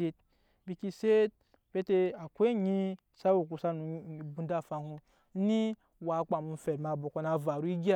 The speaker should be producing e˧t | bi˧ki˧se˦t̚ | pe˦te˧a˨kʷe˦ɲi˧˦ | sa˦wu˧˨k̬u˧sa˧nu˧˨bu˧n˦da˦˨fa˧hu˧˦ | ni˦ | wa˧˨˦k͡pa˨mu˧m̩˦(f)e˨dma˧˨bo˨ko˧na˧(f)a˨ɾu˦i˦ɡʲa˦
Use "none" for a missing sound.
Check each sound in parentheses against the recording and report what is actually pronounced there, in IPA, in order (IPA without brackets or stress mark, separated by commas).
f, v